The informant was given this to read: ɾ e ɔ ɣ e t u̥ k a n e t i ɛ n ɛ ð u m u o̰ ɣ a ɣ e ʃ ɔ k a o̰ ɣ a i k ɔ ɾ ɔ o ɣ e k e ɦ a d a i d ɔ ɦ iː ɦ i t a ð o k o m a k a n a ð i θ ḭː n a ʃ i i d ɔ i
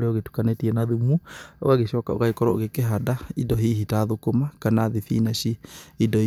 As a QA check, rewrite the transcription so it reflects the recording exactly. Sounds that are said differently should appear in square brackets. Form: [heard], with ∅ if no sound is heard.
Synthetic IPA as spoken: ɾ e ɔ ɣ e t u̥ k a n e t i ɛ n [a] ð u m u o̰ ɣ a ɣ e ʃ ɔ k a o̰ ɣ a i k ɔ ɾ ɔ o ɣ e k e ɦ a d a i d ɔ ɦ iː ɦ i t a ð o k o m a k a n a ð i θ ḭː n a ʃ i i d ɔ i